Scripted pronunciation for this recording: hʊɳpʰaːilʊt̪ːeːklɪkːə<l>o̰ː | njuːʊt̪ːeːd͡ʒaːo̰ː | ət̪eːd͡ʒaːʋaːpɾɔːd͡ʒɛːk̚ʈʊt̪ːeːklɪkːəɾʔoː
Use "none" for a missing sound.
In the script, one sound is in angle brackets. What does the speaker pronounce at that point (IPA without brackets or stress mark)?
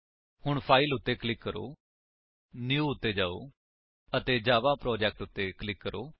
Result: ɾ